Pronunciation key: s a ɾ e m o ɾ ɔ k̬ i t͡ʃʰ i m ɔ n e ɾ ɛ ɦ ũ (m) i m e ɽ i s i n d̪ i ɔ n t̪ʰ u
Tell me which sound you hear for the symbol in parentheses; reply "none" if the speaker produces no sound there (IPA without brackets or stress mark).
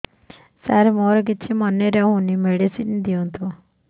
n